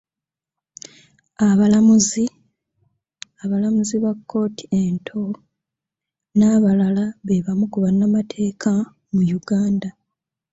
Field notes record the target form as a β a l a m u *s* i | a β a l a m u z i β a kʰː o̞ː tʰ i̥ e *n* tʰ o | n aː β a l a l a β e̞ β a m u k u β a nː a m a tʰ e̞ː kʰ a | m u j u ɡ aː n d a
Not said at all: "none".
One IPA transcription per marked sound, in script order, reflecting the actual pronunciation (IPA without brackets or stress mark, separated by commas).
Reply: z, n